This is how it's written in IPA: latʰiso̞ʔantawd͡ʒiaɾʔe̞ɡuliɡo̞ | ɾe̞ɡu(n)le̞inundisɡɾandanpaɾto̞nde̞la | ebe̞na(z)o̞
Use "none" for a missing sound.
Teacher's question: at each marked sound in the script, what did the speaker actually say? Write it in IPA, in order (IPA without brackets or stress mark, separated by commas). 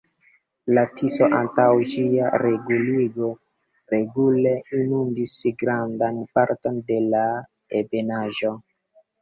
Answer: none, ʒ